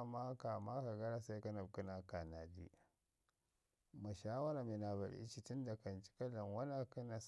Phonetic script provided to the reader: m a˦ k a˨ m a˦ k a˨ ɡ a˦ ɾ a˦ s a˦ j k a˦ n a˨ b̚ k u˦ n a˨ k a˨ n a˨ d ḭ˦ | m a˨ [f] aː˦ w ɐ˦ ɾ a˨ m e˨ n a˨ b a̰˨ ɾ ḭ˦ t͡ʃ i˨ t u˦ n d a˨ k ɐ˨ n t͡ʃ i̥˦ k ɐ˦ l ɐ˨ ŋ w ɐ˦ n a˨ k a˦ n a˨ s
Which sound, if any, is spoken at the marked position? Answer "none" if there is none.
ʃ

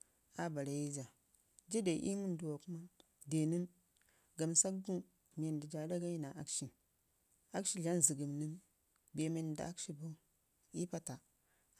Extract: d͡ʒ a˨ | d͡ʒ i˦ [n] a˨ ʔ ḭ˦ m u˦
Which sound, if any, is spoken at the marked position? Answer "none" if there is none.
d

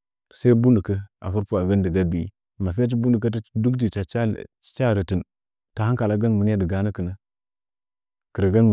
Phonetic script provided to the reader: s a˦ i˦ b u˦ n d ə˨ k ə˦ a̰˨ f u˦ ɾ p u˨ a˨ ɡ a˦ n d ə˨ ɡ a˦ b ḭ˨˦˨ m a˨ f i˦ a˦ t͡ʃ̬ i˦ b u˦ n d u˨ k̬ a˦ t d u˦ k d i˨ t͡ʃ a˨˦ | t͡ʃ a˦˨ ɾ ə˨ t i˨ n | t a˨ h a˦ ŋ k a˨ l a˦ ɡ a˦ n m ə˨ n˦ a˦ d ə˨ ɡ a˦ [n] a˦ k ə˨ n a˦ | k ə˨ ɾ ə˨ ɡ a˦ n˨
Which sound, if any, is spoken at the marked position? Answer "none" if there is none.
n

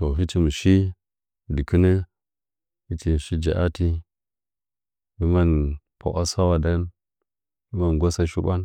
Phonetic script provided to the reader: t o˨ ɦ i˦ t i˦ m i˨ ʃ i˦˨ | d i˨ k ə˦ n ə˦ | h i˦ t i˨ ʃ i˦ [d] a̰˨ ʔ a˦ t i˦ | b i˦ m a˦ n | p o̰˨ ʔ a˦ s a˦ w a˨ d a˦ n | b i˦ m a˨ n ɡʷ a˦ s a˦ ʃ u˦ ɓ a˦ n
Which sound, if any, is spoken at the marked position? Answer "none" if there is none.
d͡ʒ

